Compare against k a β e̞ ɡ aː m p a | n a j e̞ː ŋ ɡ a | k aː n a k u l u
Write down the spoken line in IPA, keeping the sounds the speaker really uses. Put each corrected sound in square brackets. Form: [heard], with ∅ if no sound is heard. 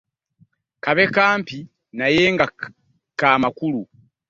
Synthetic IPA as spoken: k a β e̞ [k] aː m p [i] | n a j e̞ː ŋ ɡ a | k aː [m] a k u l u

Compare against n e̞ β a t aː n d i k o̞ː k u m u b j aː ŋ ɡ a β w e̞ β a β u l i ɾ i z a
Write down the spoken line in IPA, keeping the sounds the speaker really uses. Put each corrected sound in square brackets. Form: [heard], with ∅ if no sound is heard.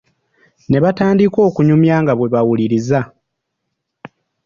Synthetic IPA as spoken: n e̞ β a t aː n d i k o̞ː k u [ɲ] u [m] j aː ŋ ɡ a β w e̞ β a [w] u l i ɾ i z a

